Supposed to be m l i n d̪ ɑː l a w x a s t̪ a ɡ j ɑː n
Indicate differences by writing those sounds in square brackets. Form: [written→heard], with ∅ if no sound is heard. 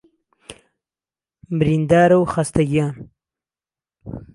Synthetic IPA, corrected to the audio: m [l→ɾ] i n d̪ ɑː [l→ɾ] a w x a s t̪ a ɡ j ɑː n